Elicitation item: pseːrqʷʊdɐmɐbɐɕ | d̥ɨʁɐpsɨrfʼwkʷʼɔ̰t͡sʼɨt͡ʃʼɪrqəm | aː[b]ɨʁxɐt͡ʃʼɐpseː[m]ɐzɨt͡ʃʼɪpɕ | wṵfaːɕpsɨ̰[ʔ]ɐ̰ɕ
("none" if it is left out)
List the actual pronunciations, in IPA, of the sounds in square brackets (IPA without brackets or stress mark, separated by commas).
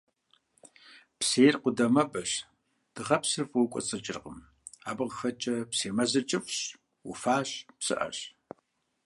b, m, ʔ